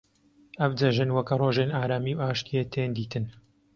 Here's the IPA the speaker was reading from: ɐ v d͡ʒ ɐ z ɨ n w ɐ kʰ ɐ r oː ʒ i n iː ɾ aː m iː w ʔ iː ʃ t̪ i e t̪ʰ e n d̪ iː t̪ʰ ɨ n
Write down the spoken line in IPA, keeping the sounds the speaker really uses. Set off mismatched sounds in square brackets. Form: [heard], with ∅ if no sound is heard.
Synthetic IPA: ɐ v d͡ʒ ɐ [ʒ] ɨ n w ɐ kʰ ɐ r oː ʒ [e] n [aː] ɾ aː m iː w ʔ [aː] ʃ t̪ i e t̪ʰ e n d̪ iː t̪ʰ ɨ n